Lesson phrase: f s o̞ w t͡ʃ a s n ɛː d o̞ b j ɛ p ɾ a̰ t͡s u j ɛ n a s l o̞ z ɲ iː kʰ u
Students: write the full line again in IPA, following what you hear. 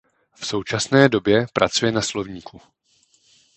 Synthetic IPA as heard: f s o̞ w t͡ʃ a s n ɛː d o̞ b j ɛ p ɾ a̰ t͡s u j ɛ n a s l o̞ v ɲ iː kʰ u